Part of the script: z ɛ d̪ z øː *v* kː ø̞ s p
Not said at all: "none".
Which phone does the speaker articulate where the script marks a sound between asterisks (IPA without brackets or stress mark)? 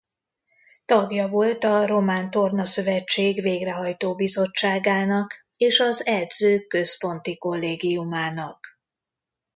none